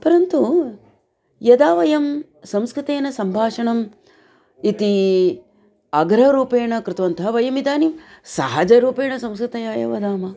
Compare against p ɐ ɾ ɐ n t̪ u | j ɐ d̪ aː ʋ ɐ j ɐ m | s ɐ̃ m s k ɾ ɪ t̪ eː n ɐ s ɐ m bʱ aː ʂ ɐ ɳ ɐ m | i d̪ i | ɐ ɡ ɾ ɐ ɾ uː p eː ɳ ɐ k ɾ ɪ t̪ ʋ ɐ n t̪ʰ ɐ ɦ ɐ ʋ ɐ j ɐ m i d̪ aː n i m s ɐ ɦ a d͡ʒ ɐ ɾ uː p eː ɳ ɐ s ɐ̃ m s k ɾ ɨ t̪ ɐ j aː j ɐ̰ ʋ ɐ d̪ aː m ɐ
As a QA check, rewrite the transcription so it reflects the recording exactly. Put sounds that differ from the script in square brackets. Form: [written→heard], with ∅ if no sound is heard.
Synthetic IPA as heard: p ɐ ɾ ɐ n t̪ u | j ɐ d̪ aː ʋ ɐ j ɐ m | s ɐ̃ m s k ɾ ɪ t̪ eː n ɐ s ɐ m bʱ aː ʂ ɐ ɳ ɐ m | i [d̪→t̪] i | ɐ ɡ ɾ ɐ ɾ uː p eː ɳ ɐ k ɾ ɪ t̪ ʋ ɐ n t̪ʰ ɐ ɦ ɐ ʋ ɐ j ɐ m i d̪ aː n i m s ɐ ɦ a d͡ʒ ɐ ɾ uː p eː ɳ ɐ s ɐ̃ m s k ɾ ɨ t̪ ɐ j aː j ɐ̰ ʋ ɐ d̪ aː m ɐ